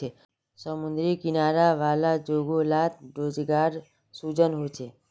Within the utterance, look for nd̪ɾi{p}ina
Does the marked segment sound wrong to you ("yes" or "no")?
yes